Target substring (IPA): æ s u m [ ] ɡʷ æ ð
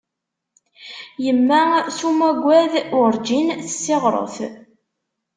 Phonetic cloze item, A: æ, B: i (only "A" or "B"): A